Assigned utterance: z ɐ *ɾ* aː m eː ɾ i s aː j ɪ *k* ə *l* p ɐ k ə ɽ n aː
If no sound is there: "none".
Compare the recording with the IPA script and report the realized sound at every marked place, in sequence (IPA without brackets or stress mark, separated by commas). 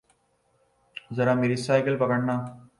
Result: ɾ, k, l